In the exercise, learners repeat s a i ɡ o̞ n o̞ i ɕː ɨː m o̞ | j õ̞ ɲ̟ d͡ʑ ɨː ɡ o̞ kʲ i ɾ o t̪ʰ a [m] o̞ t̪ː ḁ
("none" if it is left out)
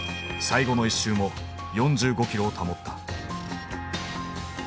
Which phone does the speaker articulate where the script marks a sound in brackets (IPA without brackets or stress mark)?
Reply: m